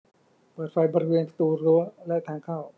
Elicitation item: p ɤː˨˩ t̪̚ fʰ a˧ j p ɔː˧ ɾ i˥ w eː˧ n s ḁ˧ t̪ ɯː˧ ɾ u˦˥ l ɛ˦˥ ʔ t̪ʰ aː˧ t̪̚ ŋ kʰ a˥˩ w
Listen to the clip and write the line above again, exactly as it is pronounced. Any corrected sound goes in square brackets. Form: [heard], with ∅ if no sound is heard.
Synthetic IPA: p ɤː˨˩ t̪̚ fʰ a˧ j [b] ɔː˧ ɾ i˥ w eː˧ n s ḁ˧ t̪ [uː˧] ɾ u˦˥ l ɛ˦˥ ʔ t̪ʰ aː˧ [∅] ŋ kʰ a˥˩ w